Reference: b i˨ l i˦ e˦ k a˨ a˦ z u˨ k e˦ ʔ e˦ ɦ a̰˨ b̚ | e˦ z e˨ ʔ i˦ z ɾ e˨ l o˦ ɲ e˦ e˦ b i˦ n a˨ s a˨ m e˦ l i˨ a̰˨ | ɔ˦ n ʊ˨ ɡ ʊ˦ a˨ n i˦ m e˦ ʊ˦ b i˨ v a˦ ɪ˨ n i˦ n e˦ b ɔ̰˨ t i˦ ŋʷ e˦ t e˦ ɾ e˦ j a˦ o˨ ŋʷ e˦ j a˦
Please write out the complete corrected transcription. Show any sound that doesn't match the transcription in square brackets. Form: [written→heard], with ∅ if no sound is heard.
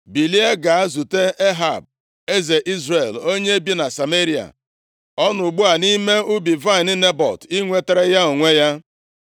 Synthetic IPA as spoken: b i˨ l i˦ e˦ [k→ɡ] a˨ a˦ z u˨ [k→t] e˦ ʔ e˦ ɦ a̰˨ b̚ | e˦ z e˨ ʔ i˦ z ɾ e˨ l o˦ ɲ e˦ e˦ b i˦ n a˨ s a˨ m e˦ [l→ɾ] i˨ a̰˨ | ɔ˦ n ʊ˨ [ɡ→ɡ͡b] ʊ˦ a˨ n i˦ m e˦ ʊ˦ b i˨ v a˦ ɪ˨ n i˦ n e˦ b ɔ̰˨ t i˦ ŋʷ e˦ t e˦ ɾ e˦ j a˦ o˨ ŋʷ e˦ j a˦